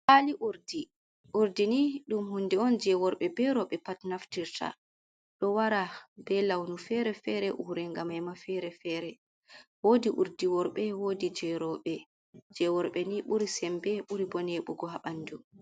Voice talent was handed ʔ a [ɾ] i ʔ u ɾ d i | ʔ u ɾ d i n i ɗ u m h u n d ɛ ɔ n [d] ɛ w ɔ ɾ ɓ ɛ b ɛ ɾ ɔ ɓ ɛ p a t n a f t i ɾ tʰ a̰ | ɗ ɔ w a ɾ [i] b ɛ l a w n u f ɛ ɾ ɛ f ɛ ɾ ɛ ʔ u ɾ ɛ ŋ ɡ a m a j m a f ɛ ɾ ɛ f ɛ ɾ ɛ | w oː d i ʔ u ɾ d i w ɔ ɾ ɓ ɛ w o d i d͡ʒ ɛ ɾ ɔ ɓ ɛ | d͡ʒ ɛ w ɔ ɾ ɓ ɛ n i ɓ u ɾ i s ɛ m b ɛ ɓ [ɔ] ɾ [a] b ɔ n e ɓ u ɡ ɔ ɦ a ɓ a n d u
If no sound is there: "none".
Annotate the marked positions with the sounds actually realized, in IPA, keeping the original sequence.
l, d͡ʒ, a, u, i

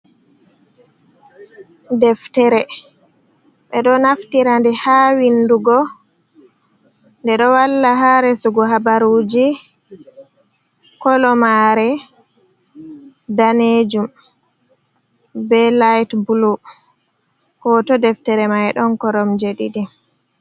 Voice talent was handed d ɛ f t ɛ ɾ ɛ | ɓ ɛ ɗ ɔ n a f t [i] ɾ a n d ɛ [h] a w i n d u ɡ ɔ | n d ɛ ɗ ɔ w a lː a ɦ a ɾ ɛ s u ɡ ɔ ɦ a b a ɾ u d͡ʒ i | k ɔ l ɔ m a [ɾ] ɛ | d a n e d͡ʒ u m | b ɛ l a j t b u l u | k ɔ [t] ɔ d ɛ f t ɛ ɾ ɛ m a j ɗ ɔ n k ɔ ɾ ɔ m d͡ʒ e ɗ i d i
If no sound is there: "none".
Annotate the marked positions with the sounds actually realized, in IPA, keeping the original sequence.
i, h, ɾ, t

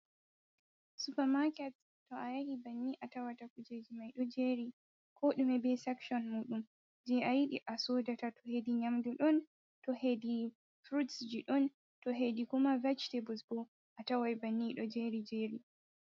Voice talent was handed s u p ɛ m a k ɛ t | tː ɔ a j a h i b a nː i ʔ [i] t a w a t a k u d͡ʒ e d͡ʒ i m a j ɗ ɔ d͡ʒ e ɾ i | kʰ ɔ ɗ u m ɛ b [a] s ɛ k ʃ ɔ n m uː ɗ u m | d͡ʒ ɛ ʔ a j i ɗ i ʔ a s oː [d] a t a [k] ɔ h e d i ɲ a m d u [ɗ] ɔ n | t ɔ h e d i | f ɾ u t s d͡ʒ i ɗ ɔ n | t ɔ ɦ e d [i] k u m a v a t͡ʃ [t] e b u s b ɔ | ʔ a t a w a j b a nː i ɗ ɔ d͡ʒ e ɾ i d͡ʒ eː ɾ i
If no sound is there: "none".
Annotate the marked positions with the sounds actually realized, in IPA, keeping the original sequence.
a, ɛ, d, t, ɗ, i, t

